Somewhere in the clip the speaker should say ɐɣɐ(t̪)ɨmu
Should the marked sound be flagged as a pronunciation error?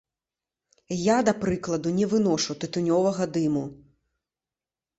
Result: yes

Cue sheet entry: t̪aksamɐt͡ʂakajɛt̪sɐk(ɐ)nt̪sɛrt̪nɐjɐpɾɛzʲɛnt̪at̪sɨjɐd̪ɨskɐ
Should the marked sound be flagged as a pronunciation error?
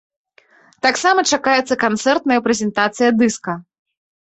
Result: yes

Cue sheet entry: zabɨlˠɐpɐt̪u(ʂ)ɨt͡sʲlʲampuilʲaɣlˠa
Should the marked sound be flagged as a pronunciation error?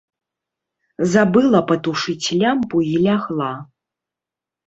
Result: no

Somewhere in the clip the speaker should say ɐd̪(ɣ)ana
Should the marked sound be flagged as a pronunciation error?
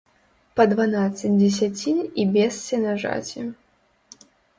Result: yes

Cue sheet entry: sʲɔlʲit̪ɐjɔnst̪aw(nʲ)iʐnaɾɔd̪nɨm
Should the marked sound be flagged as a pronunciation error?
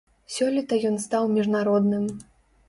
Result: yes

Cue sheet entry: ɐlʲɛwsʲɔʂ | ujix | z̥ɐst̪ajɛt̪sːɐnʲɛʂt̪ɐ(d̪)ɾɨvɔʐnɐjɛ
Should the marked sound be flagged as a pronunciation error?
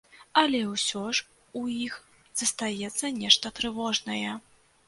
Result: yes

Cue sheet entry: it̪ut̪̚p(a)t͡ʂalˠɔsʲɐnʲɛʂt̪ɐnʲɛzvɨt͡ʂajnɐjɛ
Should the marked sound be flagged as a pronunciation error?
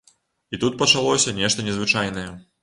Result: yes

